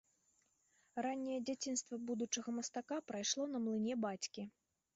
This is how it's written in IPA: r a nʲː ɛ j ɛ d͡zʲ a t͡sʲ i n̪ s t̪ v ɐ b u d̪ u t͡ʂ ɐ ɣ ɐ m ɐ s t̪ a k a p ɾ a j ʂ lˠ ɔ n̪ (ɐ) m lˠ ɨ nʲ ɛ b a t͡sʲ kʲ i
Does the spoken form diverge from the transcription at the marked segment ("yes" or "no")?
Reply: no